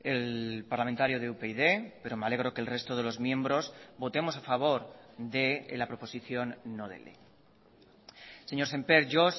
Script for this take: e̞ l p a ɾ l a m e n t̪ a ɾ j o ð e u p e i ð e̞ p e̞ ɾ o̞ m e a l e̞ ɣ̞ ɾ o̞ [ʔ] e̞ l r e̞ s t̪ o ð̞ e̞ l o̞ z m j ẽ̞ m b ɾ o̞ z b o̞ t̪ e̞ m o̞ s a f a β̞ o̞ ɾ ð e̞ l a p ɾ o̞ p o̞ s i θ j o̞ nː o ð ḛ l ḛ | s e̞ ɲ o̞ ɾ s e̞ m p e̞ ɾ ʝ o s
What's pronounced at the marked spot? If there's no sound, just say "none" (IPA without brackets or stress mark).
k